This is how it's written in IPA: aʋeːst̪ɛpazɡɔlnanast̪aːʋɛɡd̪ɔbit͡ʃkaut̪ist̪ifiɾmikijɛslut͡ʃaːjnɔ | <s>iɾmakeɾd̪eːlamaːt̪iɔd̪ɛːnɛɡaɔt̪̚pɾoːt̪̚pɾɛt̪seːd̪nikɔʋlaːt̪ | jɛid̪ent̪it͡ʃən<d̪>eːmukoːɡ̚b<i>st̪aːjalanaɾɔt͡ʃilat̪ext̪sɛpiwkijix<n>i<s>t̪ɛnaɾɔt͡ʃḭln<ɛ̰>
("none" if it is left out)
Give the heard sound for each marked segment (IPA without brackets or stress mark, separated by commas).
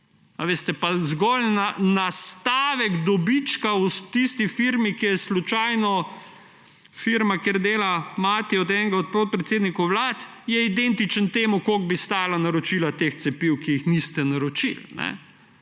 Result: f, t̪, i, n, s, ɛ̰